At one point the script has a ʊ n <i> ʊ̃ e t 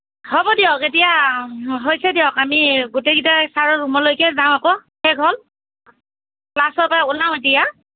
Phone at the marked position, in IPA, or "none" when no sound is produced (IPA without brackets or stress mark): a